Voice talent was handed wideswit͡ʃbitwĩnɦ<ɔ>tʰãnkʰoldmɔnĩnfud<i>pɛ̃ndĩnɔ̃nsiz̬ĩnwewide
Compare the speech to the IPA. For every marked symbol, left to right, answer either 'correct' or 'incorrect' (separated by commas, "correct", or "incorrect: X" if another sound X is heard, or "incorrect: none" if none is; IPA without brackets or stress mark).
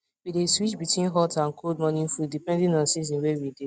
correct, correct